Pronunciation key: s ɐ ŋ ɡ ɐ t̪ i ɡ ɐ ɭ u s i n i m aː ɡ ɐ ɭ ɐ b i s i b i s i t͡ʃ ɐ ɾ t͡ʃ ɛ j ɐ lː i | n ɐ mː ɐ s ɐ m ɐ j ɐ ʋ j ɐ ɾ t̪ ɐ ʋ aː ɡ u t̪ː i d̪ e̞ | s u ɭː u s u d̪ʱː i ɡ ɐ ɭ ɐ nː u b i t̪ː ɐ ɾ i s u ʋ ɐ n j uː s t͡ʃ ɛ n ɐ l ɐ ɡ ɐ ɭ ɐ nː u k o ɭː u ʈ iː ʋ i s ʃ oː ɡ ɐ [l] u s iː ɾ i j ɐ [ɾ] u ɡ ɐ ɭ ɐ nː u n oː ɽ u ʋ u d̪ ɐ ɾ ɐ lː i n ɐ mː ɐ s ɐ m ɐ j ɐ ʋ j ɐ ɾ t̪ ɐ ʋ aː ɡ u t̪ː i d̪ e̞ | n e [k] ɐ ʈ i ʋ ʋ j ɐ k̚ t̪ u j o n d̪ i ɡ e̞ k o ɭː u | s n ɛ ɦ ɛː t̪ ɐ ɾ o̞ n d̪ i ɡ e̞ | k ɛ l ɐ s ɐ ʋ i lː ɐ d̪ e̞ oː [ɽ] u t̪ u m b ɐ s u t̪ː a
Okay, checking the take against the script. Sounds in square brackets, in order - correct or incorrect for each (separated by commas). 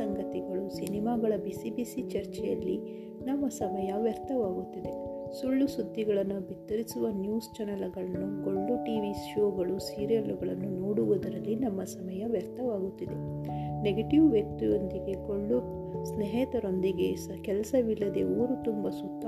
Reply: incorrect, incorrect, incorrect, incorrect